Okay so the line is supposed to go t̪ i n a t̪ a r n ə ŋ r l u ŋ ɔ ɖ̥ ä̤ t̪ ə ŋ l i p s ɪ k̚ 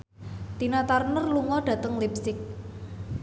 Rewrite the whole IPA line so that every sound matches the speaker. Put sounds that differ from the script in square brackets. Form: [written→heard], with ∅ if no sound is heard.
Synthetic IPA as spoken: t̪ i n a t̪ a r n ə [ŋ→∅] r l u ŋ ɔ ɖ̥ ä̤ t̪ ə ŋ l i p s ɪ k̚